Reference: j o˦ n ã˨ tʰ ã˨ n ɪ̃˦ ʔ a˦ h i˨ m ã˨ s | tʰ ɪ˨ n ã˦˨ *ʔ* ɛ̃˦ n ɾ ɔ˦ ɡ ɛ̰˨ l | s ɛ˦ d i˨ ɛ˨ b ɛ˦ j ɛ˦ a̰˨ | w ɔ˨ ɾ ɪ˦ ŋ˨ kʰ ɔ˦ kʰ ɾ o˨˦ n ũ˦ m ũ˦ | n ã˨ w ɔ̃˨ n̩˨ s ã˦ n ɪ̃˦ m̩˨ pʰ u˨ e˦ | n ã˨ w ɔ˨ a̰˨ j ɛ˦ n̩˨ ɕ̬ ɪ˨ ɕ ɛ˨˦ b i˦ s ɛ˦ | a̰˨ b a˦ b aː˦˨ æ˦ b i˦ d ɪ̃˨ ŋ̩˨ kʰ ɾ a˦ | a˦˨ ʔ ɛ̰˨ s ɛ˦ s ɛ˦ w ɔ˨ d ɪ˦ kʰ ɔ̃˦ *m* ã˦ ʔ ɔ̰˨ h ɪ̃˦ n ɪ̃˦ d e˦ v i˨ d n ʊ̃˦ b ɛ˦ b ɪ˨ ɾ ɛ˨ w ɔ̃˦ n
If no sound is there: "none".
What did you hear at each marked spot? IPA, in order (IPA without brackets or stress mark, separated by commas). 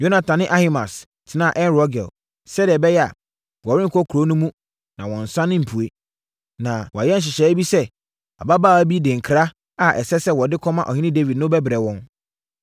ʔ, m